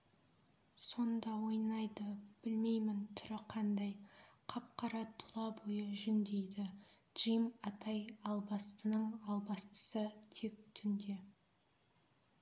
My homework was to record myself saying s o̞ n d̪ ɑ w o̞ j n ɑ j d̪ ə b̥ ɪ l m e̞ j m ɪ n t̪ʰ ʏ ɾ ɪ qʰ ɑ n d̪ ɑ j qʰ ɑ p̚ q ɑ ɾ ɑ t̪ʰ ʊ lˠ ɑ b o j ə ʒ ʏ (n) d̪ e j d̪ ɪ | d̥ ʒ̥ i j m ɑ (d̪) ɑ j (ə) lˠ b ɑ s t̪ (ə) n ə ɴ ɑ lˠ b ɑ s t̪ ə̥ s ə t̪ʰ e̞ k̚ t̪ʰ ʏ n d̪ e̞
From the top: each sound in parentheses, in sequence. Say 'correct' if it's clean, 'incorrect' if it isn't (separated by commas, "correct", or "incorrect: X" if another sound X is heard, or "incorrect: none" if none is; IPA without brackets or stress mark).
correct, incorrect: t̪, incorrect: ɑ, correct